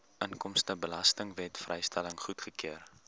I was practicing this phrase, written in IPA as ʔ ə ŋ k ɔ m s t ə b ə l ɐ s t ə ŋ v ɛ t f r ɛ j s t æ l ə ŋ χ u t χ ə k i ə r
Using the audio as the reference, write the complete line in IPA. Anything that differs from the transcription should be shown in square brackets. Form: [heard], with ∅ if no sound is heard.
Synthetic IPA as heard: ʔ ə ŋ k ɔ m s t ə b ə l ɐ s t ə ŋ v ɛ t f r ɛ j s t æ l ə ŋ χ u t χ ə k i ə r